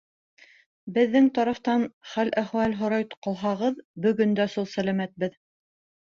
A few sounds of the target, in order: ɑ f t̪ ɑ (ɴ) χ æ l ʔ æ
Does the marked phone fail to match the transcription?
yes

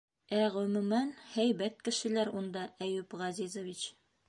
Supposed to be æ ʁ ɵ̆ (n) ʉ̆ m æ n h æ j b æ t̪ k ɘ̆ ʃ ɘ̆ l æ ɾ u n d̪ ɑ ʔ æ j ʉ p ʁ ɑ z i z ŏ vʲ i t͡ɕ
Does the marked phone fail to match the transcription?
yes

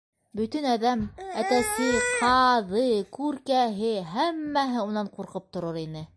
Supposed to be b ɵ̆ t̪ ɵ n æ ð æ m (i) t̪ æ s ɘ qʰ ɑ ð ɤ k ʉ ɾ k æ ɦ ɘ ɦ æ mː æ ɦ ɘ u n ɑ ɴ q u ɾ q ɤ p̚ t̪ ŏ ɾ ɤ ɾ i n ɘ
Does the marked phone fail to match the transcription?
yes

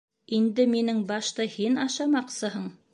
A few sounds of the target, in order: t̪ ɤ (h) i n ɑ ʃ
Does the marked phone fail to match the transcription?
no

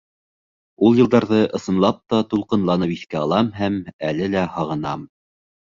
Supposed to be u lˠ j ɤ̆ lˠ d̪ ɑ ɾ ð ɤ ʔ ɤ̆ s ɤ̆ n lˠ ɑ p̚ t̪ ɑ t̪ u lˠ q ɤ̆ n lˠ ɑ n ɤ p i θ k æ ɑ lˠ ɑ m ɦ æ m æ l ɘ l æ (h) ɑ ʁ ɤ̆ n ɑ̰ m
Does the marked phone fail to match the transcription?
no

